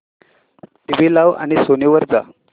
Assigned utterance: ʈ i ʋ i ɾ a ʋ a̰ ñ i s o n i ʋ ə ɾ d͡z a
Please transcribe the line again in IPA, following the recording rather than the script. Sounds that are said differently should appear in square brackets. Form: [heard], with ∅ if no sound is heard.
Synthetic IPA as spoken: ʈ i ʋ i [l] a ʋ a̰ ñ i s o n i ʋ ə ɾ d͡z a